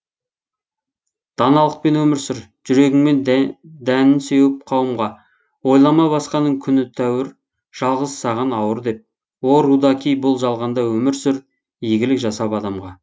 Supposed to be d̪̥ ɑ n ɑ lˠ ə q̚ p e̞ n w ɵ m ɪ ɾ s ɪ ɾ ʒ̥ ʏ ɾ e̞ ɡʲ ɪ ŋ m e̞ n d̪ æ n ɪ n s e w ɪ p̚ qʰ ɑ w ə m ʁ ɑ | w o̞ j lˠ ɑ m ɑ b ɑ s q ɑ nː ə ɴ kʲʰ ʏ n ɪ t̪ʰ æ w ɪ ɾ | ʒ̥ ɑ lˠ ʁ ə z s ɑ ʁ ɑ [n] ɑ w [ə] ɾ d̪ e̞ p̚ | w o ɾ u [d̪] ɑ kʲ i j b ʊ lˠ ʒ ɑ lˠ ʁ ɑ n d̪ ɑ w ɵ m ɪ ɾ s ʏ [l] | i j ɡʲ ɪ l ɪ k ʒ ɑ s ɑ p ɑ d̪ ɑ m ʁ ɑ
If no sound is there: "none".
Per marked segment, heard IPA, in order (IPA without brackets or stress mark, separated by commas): n, ə, d̪, ɾ